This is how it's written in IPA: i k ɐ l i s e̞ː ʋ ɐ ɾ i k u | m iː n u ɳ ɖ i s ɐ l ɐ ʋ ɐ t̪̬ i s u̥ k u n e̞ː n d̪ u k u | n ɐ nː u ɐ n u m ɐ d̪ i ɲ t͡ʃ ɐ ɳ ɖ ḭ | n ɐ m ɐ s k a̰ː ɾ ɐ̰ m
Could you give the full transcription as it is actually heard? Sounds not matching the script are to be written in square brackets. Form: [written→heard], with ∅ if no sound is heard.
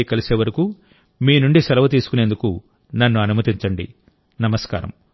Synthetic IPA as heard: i k ɐ l i s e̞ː ʋ ɐ ɾ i k u | m iː n u ɳ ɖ i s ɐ l ɐ ʋ ɐ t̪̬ [i→iː] s u̥ k u n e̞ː n d̪ u k u | n ɐ nː u ɐ n u m ɐ [d̪→t̪] i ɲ t͡ʃ ɐ ɳ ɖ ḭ | n ɐ m ɐ s k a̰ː ɾ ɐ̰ m